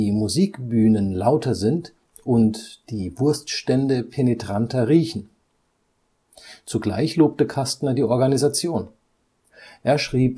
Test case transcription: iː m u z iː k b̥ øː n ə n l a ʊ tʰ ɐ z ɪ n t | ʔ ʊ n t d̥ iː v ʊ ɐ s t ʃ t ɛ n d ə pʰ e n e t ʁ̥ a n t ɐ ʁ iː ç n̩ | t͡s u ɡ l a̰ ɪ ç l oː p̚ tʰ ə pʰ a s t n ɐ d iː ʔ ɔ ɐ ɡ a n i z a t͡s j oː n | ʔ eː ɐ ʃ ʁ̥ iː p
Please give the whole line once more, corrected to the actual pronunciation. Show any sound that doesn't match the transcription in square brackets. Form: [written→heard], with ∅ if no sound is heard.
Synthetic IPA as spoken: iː m u z iː k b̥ [øː→yː] n ə n l a ʊ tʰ ɐ z ɪ n t | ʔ ʊ n t d̥ iː v ʊ ɐ s t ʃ t ɛ n d ə pʰ e n e t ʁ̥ a n t ɐ ʁ iː ç n̩ | t͡s u ɡ l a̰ ɪ ç l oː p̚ [tʰ→t] ə [pʰ→kʰ] a s t n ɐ d iː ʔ ɔ ɐ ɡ a n i z a t͡s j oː n | ʔ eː ɐ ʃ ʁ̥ iː p

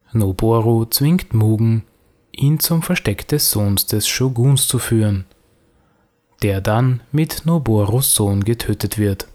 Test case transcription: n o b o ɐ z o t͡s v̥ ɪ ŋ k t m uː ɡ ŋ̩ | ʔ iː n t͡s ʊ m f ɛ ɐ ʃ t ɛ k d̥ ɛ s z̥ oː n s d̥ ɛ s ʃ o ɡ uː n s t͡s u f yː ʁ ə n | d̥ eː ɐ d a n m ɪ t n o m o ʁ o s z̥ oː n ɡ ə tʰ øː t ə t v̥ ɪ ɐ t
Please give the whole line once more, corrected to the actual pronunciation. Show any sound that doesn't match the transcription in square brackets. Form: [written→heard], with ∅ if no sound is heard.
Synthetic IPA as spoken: n o b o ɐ [z→ʁ] o t͡s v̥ ɪ ŋ k t m uː ɡ ŋ̩ | ʔ iː n t͡s ʊ m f ɛ ɐ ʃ t ɛ k d̥ ɛ s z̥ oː n s d̥ ɛ s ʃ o ɡ uː n s t͡s u f yː ʁ ə n | d̥ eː ɐ d a n m ɪ t n o [m→b] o ʁ o s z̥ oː n ɡ ə tʰ øː t ə t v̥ ɪ ɐ t

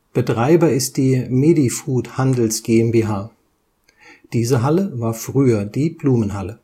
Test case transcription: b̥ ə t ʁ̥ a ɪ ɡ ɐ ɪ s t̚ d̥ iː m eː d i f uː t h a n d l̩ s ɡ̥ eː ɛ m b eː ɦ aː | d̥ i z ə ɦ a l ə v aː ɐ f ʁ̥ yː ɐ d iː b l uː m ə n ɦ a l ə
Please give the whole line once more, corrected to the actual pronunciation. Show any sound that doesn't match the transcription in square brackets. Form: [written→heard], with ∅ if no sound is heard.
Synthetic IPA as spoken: b̥ ə t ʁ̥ a ɪ [ɡ→b] ɐ ɪ s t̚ d̥ iː m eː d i f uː t h a n d l̩ s ɡ̥ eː ɛ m b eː ɦ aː | d̥ [i→iː] z ə ɦ a l ə v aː ɐ f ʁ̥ yː ɐ d iː b l uː m ə n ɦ a l ə

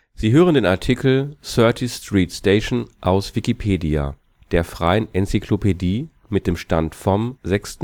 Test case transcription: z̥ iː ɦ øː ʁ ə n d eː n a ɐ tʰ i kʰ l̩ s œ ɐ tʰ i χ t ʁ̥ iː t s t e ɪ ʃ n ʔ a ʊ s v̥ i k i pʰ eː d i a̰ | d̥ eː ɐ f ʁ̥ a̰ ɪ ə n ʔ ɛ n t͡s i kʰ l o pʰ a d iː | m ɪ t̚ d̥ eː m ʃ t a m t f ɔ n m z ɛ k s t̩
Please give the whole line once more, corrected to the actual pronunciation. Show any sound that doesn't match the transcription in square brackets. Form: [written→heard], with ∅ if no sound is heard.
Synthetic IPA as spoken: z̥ iː ɦ øː ʁ ə n d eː n a ɐ tʰ i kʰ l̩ s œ ɐ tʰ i [χ→s] t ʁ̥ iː t s t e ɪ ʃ n ʔ a ʊ s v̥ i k i pʰ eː d i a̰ | d̥ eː ɐ f ʁ̥ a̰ ɪ ə n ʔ ɛ n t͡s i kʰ l o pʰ [a→e] d iː | m ɪ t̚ d̥ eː m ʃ t a [m→n] t f ɔ [n→∅] m z ɛ k s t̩

